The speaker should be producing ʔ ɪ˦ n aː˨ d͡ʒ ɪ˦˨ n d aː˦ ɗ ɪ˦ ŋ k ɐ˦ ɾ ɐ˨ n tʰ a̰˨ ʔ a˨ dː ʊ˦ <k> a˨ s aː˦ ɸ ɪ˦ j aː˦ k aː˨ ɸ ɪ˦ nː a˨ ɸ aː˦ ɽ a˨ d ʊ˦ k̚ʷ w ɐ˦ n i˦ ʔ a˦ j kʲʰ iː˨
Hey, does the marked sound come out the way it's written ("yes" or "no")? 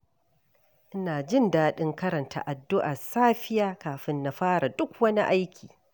no